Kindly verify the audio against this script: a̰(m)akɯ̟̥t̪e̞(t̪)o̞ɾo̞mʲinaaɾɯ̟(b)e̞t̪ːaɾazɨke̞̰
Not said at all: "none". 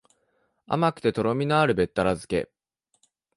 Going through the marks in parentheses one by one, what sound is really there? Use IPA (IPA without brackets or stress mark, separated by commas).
m, t̪, b